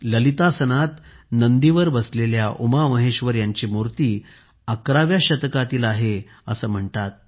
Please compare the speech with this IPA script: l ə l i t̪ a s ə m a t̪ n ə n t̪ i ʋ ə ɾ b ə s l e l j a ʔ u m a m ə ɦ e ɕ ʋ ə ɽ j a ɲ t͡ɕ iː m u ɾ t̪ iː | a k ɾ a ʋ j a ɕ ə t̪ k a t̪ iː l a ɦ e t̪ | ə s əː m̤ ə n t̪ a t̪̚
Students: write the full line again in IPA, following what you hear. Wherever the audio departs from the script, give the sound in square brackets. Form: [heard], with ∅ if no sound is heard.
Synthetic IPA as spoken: l ə l i t̪ a s ə [n] a t̪ n ə n [d̪] i ʋ ə ɾ b ə s l e l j a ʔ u m a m ə ɦ e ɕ ʋ ə [ɾ] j a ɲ t͡ɕ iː m u ɾ t̪ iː | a k ɾ a ʋ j a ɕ ə t̪ k a t̪ iː l a ɦ e [∅] | ə s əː m̤ ə [ɳ] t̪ a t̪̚